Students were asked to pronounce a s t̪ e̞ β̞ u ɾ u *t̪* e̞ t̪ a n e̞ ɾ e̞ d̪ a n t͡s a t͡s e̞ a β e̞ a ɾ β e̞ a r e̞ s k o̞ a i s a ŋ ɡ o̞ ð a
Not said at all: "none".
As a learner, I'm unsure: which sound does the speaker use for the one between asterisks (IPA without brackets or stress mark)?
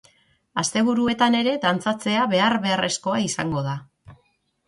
none